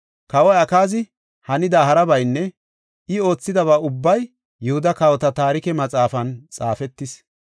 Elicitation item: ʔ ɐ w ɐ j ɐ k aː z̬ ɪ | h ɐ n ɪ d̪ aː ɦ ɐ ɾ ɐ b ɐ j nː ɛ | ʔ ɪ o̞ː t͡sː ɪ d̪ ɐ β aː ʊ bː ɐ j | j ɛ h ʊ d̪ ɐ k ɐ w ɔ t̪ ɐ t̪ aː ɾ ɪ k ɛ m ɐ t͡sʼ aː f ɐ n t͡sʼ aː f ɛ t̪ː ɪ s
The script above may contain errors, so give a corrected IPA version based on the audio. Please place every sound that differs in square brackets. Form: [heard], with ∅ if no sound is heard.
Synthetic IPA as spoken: [k] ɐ w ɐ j ɐ k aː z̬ ɪ | h ɐ n ɪ d̪ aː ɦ ɐ ɾ ɐ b ɐ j nː ɛ | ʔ ɪ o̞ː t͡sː ɪ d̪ ɐ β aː ʊ bː ɐ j | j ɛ h ʊ d̪ ɐ k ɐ w ɔ t̪ ɐ t̪ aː ɾ ɪ k ɛ m ɐ t͡sʼ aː f ɐ n t͡sʼ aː f ɛ t̪ː ɪ s

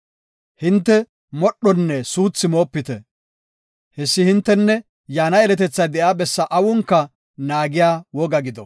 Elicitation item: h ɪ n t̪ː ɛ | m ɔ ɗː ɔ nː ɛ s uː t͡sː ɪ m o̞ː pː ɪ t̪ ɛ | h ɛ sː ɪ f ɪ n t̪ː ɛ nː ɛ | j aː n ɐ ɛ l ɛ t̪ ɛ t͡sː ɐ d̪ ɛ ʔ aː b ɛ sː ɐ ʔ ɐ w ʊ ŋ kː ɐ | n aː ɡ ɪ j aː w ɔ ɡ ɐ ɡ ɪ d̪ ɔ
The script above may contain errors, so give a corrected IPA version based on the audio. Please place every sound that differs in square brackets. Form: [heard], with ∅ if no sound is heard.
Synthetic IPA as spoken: h ɪ n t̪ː ɛ | m ɔ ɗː ɔ nː ɛ s uː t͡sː ɪ m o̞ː pː ɪ t̪ ɛ | h ɛ sː ɪ [h] ɪ n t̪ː ɛ nː ɛ | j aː n ɐ ɛ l ɛ t̪ ɛ t͡sː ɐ d̪ ɛ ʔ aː b ɛ sː ɐ ʔ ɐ w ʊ ŋ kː ɐ | n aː ɡ ɪ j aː w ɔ ɡ ɐ ɡ ɪ d̪ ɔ

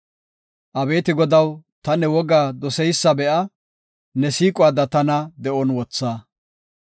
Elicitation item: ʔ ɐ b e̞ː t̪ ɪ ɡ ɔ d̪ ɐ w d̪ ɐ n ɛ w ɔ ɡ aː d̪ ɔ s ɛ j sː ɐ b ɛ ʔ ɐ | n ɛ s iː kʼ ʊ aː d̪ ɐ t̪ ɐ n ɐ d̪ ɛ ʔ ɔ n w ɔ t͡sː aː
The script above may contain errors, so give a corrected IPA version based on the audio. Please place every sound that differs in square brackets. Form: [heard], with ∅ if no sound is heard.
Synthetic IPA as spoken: ʔ ɐ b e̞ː t̪ ɪ ɡ ɔ d̪ ɐ w [t̪] ɐ n ɛ w ɔ ɡ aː d̪ ɔ s ɛ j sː ɐ b ɛ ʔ ɐ | n ɛ s iː kʼ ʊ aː d̪ ɐ t̪ ɐ n ɐ d̪ ɛ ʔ ɔ n w ɔ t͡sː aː

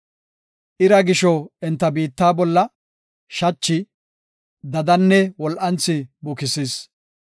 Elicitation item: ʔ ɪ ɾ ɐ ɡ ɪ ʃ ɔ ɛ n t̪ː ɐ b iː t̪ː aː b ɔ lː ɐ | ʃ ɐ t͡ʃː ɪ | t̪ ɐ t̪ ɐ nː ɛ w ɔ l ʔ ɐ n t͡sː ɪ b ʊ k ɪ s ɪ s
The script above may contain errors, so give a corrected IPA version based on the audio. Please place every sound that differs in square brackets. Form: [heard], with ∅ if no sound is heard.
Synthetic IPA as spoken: ʔ ɪ ɾ ɐ ɡ ɪ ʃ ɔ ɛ n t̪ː ɐ b iː t̪ː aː b ɔ lː ɐ | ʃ ɐ t͡ʃː ɪ | [d̪] ɐ [d̪] ɐ nː ɛ w ɔ l ʔ ɐ n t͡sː ɪ b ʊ k ɪ s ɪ s

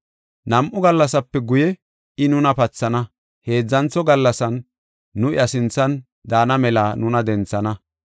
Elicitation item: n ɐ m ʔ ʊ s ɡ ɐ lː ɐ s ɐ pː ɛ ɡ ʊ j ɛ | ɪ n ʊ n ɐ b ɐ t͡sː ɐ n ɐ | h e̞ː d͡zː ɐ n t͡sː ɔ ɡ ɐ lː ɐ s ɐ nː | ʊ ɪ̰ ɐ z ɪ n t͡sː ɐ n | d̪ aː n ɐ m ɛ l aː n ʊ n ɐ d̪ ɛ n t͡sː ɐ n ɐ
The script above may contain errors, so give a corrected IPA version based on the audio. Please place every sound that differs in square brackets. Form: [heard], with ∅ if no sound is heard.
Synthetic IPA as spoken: n ɐ m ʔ ʊ [∅] ɡ ɐ lː ɐ s ɐ pː ɛ ɡ ʊ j ɛ | ɪ n ʊ n ɐ [p] ɐ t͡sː ɐ n ɐ | h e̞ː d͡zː ɐ n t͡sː ɔ ɡ ɐ lː ɐ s ɐ nː | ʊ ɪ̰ ɐ [s] ɪ n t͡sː ɐ n | d̪ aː n ɐ m ɛ l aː n ʊ n ɐ d̪ ɛ n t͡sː ɐ n ɐ

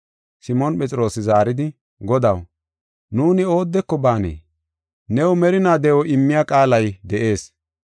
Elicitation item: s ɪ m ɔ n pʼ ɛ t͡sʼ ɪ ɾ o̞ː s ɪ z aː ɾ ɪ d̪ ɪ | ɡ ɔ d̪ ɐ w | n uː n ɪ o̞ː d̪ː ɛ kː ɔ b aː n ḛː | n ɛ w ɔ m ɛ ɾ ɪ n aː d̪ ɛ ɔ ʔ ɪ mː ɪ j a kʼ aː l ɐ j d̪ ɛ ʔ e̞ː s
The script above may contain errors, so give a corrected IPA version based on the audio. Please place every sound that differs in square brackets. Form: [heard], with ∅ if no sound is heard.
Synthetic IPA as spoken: s ɪ m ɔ n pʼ ɛ t͡sʼ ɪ ɾ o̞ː s ɪ z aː ɾ ɪ d̪ ɪ | ɡ ɔ d̪ ɐ w | n uː n ɪ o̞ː d̪ː ɛ kː ɔ b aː n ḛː | n ɛ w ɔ m ɛ ɾ ɪ n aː d̪ ɛ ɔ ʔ ɪ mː ɪ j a kʼ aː l ɐ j d̪ ɛ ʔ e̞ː s

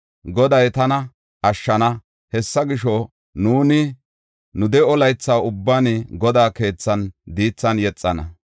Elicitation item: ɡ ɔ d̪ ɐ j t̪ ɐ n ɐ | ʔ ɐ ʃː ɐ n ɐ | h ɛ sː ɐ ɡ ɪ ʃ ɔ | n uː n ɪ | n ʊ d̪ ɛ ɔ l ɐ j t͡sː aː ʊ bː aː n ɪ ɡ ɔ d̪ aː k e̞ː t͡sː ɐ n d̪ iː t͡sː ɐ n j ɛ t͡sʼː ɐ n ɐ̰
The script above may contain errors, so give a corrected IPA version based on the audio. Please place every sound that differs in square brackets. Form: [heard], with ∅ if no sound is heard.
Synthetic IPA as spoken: ɡ ɔ d̪ ɐ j t̪ ɐ n ɐ | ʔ ɐ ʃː ɐ n ɐ | h ɛ sː ɐ ɡ ɪ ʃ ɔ | n uː n ɪ | n ʊ d̪ ɛ ɔ l ɐ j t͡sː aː ʊ bː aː n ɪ ɡ ɔ d̪ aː k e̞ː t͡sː ɐ n d̪ iː t͡sː ɐ n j ɛ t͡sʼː ɐ n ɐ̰

